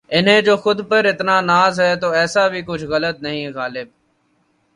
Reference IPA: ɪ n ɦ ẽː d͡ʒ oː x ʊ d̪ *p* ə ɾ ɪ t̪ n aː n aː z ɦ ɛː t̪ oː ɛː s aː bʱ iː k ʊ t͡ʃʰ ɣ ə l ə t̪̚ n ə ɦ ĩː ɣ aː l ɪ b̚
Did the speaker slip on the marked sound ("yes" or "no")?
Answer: no